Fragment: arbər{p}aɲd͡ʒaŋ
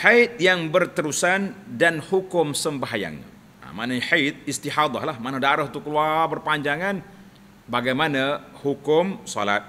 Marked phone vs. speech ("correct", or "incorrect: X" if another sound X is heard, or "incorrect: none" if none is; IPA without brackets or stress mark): correct